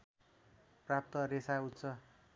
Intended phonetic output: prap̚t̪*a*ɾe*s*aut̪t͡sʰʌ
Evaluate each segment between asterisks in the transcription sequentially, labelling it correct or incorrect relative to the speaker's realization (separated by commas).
incorrect, correct